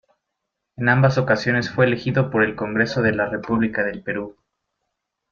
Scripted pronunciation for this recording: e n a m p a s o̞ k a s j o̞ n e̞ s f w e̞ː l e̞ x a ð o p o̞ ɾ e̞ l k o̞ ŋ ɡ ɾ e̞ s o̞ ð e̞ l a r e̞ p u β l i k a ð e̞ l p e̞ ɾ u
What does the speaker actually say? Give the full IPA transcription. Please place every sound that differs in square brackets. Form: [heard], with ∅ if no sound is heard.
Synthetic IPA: e n a m [b] a s o̞ k a s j o̞ n e̞ s f w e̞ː l e̞ x [i] ð o p o̞ ɾ e̞ l k o̞ ŋ ɡ ɾ e̞ s o̞ ð e̞ l a r e̞ p u β l i k a ð e̞ l p e̞ ɾ u

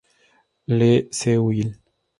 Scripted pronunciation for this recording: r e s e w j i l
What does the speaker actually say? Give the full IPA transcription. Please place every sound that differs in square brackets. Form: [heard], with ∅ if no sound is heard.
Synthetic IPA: [l] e s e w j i l

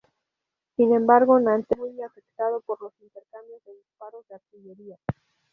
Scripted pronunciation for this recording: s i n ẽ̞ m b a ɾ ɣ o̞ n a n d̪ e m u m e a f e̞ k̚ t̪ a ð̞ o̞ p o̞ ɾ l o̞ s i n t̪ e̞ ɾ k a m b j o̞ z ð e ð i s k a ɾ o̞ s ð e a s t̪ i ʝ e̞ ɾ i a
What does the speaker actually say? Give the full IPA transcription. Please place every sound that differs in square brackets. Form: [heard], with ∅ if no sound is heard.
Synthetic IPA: s i n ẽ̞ m b a ɾ ɣ o̞ n a n [t̪] e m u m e a f e̞ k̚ t̪ a ð̞ o̞ p o̞ ɾ l o̞ s i n t̪ e̞ ɾ k a m b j o̞ z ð e ð i s [p] a ɾ o̞ [z] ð e a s t̪ i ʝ e̞ ɾ i a

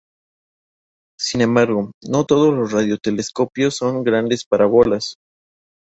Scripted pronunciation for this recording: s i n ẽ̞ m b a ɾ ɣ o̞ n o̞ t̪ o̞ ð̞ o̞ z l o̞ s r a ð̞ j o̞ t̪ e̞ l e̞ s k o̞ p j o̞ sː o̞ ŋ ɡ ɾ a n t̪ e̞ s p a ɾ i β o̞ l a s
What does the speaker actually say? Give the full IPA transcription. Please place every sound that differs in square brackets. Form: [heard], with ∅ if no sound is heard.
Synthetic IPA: s i n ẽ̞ m b a ɾ ɣ o̞ n o̞ t̪ o̞ ð̞ o̞ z l o̞ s r a ð̞ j o̞ t̪ e̞ l e̞ s k o̞ p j o̞ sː o̞ ŋ ɡ ɾ a n [d̪] e̞ s p a ɾ [a] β o̞ l a s

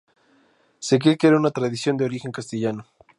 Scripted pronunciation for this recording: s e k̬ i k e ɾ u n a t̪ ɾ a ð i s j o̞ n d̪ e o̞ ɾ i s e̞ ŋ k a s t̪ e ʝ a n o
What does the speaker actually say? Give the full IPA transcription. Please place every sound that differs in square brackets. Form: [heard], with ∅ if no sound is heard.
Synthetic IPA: s e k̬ [e] k e ɾ u n a t̪ ɾ a ð i s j o̞ n d̪ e o̞ ɾ i [x] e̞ ŋ k a s t̪ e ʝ a n o

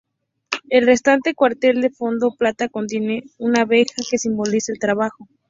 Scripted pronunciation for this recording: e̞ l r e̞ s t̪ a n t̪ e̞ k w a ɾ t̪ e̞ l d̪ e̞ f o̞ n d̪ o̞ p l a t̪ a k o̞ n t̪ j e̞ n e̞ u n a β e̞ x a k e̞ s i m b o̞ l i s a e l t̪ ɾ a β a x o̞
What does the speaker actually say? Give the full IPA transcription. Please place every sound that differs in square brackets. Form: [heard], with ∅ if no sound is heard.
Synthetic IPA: e̞ l r e̞ s t̪ a n t̪ e̞ k w a ɾ t̪ e̞ l d̪ e̞ f o̞ n d̪ o̞ p l a t̪ a k o̞ n t̪ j e̞ n e̞ u n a β e̞ x a k e̞ s i m b o̞ l i s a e l t̪ ɾ a β a x o̞

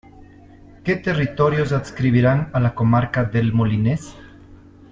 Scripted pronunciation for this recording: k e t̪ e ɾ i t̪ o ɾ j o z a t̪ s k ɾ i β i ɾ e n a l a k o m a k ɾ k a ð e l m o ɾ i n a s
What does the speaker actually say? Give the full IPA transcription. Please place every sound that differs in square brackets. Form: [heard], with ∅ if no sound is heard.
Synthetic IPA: k e t̪ e [r] i t̪ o ɾ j o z a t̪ s k ɾ i β i ɾ [a] n a l a k o m a [∅] ɾ k a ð e l m o [l] i n [e] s

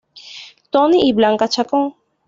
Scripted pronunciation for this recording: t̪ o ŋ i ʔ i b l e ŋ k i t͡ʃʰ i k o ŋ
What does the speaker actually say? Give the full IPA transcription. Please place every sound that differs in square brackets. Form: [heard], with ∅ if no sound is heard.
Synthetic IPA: t̪ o [n] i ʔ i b l [a] ŋ k [a] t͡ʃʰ [a] k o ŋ

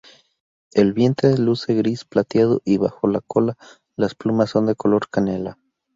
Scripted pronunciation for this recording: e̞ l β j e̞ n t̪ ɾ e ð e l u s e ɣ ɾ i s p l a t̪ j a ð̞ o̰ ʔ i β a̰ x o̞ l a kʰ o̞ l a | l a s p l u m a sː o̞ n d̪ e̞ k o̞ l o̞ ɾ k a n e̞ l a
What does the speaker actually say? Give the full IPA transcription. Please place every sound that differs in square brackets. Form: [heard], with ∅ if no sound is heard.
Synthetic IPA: e̞ l β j e̞ n t̪ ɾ e ð e l u s e ɣ ɾ i s p l a t̪ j a ð̞ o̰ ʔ i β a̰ x o̞ l a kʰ o̞ l a | l a s p l u m a sː o̞ n d̪ e̞ k o̞ l o̞ ɾ k a n e̞ l a

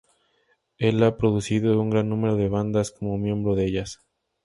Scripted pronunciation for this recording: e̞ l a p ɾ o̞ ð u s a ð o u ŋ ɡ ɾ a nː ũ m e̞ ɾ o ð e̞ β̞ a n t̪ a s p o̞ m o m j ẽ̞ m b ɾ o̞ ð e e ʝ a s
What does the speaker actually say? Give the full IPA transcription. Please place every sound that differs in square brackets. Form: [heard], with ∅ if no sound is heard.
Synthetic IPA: e̞ l a p ɾ o̞ ð u s [i] ð o u ŋ ɡ ɾ a nː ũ m e̞ ɾ o ð e̞ β̞ a n [d̪] a s [k] o̞ m o m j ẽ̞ m b ɾ o̞ ð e e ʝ a s

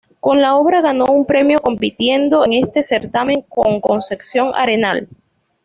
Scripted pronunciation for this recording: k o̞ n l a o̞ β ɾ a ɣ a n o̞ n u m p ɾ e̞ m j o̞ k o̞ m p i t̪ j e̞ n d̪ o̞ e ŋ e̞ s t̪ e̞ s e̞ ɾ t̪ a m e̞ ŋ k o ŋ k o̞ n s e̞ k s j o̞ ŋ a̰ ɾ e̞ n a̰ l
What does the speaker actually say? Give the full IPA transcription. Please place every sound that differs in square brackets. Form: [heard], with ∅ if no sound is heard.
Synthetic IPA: k o̞ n l a o̞ β ɾ a ɣ a n o̞ [∅] u m p ɾ e̞ m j o̞ k o̞ m p i t̪ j e̞ n d̪ o̞ e ŋ e̞ s t̪ e̞ s e̞ ɾ t̪ a m e̞ ŋ k o ŋ k o̞ n s e̞ k s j o̞ ŋ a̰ ɾ e̞ n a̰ l

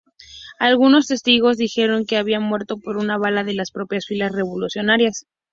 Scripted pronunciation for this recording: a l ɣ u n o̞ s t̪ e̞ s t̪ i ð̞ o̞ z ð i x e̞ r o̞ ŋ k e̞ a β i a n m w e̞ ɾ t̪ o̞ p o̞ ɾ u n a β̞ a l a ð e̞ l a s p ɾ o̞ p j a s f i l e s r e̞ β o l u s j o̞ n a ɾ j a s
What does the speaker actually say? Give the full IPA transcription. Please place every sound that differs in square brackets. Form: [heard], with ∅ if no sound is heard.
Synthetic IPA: a l ɣ u n o̞ s t̪ e̞ s t̪ i [ɣ̞] o̞ z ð i x e̞ [ɾ] o̞ ŋ k e̞ a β i a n m w e̞ ɾ t̪ o̞ p o̞ ɾ u n a β̞ a l a ð e̞ l a s p ɾ o̞ p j a s f i l [a] s r e̞ β o l u s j o̞ n a ɾ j a s

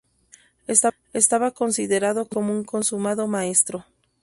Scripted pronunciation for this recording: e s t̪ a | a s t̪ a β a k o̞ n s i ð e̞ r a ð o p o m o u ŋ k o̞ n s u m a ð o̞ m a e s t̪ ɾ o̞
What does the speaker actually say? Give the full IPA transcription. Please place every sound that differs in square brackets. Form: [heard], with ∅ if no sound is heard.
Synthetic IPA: e s t̪ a | [e] s t̪ a β a k o̞ n s i ð e̞ [ɾ] a ð o [k] o m o u ŋ k o̞ n s u m a ð o̞ m a e s t̪ ɾ o̞

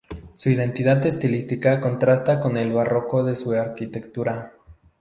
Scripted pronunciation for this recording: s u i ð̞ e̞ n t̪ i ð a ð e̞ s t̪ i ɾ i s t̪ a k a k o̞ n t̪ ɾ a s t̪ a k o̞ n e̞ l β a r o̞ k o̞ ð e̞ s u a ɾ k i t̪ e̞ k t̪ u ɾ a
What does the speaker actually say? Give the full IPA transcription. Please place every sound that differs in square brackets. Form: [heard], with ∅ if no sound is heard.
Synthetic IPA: s u i ð̞ e̞ n t̪ i ð a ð e̞ s t̪ i [l] i s t̪ [i] k a k o̞ n t̪ ɾ a s t̪ a k o̞ n e̞ l β a r o̞ k o̞ ð e̞ s u a ɾ k i t̪ e̞ k t̪ u ɾ a

